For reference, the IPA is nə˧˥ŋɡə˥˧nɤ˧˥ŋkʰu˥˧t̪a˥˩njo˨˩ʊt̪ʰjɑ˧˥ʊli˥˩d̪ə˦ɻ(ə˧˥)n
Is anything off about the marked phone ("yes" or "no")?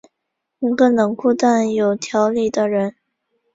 no